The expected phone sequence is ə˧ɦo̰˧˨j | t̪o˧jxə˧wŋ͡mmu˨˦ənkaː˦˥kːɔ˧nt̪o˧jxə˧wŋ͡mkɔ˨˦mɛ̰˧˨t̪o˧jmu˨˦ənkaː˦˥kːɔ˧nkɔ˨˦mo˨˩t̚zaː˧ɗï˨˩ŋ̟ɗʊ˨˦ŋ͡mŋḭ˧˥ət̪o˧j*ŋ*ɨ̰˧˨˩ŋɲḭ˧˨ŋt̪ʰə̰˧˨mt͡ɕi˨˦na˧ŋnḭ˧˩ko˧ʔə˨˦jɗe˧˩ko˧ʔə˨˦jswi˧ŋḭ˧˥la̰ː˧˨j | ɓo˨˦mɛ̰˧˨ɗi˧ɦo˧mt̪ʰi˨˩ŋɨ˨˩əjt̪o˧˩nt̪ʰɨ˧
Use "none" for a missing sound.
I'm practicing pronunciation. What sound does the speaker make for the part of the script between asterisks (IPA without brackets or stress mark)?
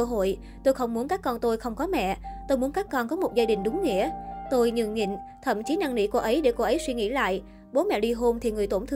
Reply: ɲ